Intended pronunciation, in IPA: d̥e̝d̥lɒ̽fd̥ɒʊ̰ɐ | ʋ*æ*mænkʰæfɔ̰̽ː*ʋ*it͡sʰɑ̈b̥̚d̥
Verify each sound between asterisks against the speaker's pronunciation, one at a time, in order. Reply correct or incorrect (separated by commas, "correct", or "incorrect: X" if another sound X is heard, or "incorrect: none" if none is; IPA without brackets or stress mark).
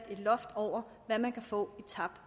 correct, incorrect: none